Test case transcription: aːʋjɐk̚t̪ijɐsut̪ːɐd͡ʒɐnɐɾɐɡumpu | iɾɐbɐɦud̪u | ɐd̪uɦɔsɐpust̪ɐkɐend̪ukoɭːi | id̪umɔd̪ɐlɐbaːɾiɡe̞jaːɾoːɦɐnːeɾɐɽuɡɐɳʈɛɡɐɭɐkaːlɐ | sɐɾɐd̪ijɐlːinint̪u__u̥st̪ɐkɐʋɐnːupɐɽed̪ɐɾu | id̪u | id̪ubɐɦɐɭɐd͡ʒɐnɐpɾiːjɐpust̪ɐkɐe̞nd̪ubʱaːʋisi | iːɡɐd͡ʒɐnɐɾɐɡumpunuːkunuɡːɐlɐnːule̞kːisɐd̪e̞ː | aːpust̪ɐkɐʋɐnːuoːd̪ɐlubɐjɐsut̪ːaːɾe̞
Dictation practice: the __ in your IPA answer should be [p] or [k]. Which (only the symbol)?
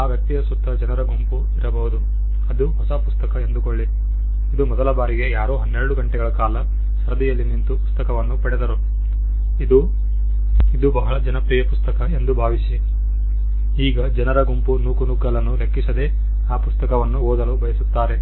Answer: p